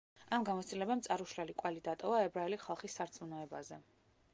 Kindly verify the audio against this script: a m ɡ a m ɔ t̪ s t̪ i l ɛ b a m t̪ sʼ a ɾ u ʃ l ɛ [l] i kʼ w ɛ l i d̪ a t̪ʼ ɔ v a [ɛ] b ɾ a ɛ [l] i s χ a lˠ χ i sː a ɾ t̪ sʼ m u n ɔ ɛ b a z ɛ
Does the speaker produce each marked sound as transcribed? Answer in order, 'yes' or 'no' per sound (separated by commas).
yes, yes, yes